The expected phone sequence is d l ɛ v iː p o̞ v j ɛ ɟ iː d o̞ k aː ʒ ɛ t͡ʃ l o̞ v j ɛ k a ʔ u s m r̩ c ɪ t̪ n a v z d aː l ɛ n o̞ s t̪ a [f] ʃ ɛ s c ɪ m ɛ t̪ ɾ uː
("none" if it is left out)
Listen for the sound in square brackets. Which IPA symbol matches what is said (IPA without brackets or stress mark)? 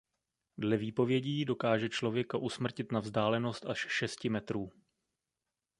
ʃ